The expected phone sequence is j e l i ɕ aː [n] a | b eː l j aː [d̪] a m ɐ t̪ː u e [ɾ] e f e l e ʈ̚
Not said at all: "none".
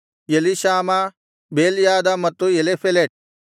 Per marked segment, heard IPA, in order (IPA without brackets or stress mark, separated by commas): m, d̪, l